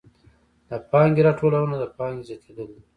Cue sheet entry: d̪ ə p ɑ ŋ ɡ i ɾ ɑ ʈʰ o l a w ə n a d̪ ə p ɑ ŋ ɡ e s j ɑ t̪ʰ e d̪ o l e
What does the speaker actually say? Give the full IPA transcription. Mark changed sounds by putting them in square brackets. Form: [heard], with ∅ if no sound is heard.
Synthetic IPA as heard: d̪ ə p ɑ ŋ ɡ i ɾ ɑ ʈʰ o l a w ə n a d̪ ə p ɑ ŋ ɡ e [z] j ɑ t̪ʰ e d̪ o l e

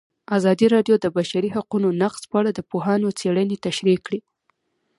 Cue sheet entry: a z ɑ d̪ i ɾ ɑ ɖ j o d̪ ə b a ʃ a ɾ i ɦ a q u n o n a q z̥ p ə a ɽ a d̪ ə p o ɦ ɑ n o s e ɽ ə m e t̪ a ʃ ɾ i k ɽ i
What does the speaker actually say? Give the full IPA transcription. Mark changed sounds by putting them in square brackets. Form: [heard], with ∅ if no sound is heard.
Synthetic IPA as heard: a z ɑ d̪ i ɾ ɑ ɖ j o d̪ ə b a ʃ a ɾ i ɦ a q u n o n a q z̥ p ə a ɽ a d̪ ə p o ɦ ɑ n o [t͡s] e ɽ ə [n] e t̪ a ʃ ɾ i k ɽ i

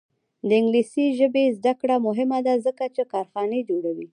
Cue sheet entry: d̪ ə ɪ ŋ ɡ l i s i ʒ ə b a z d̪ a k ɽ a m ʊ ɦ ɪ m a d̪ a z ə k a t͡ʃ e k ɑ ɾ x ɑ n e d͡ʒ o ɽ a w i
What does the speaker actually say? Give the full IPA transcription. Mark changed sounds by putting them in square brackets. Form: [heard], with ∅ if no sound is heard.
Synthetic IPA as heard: d̪ ə ɪ ŋ ɡ l i s i ʒ ə b [e] z d̪ a k ɽ a m ʊ ɦ ɪ m a d̪ a z ə k a t͡ʃ e k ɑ ɾ x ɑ n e d͡ʒ o ɽ a w i

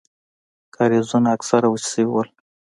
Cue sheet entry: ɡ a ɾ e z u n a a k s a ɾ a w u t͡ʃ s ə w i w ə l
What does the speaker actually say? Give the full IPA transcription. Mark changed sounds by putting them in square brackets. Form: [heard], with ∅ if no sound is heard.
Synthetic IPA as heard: [k] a ɾ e z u n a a k s a ɾ a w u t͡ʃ s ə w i w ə l

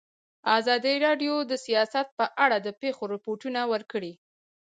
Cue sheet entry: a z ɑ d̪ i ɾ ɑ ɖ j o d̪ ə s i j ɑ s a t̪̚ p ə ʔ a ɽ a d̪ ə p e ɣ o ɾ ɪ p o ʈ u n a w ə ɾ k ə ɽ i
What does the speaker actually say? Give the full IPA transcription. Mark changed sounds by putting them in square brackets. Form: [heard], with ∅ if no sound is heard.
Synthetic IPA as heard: a z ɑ d̪ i ɾ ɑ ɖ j o d̪ ə s i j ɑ s a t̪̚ p ə ʔ a ɽ a d̪ ə p e [x] o ɾ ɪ p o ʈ u n a w ə ɾ k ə ɽ i

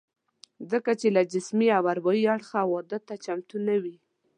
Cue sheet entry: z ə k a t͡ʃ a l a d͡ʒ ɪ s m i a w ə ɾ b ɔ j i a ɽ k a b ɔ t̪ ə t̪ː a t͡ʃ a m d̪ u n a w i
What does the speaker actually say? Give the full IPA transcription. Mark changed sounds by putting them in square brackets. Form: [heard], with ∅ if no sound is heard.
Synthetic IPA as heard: z ə k a t͡ʃ [e] l a d͡ʒ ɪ s m i a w [a] ɾ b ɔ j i a ɽ [x] a [w] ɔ [d̪] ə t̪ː a t͡ʃ a m [t̪] u n a w i

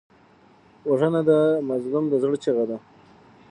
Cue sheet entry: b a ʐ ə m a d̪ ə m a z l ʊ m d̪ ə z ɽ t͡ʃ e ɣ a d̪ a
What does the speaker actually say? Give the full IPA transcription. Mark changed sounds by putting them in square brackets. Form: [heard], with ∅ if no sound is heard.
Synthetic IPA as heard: [w] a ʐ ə [n] a d̪ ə m a z l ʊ m d̪ ə z ɽ t͡ʃ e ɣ a d̪ a

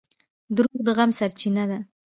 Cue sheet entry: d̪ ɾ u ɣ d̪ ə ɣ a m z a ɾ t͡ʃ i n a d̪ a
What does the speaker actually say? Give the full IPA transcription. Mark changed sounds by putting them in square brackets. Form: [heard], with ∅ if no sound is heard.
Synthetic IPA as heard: d̪ ɾ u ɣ d̪ ə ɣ a m [s] a ɾ t͡ʃ i n a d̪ a

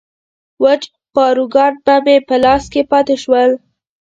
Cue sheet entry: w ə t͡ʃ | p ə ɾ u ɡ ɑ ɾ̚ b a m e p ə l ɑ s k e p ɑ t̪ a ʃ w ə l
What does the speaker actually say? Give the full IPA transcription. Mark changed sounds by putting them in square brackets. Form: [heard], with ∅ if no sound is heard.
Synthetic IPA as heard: w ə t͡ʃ | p [ɑ] ɾ u ɡ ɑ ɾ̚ b a m e p ə l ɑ s k e p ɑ t̪ [e] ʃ w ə l

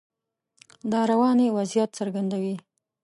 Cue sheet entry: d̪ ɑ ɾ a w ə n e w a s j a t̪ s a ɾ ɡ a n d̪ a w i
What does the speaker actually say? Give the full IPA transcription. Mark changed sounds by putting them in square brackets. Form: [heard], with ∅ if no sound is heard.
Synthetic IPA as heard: d̪ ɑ ɾ a w [ɑ] n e w a [z] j a t̪ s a ɾ ɡ a n d̪ a w i

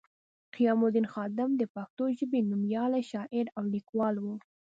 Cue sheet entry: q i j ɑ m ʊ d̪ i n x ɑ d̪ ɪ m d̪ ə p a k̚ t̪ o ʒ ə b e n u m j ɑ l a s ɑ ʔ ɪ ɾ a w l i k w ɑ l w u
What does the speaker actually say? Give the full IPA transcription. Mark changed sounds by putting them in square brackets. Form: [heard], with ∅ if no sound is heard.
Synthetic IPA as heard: q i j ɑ m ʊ d̪ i n x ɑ d̪ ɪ m d̪ ə p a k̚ t̪ o ʒ ə b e n u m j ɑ l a [ʃ] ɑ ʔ ɪ ɾ a w l i k w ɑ l w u

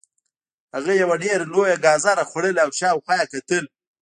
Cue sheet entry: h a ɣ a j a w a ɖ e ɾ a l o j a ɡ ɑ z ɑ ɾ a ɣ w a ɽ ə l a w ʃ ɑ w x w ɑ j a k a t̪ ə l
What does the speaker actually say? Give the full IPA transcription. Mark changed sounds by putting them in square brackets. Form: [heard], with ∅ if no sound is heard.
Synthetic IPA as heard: h a ɣ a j a w a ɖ e ɾ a l o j a ɡ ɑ z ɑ ɾ a [x] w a ɽ ə l a w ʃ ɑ w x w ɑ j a k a t̪ ə l

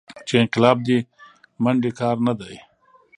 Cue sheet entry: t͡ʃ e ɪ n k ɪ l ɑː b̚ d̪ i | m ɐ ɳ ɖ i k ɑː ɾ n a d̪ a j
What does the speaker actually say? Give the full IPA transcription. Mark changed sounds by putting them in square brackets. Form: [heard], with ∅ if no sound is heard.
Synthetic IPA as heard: t͡ʃ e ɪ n [q] ɪ l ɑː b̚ d̪ i | m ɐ ɳ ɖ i k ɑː ɾ n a d̪ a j

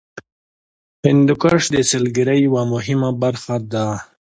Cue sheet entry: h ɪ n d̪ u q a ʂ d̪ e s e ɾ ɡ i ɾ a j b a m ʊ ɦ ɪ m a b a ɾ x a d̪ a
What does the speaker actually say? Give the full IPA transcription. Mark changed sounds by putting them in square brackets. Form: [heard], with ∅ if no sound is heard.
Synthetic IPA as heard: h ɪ n d̪ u [k] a ʂ d̪ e s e [l] ɡ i ɾ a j [w] a m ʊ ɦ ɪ m a b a ɾ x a d̪ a

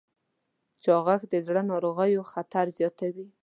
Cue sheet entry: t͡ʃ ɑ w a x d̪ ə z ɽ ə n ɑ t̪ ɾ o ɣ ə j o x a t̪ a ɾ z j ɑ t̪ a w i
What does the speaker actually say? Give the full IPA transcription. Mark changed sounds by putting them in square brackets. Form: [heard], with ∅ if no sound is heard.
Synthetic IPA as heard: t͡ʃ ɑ [ɣ] a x d̪ ə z ɽ ə n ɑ [∅] ɾ o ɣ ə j o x a t̪ a ɾ z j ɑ t̪ a w i

